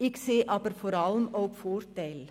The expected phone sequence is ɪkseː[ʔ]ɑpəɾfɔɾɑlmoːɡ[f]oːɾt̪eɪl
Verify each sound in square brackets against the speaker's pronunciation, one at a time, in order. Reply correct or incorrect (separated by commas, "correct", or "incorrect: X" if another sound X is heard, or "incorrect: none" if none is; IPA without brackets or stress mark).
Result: correct, correct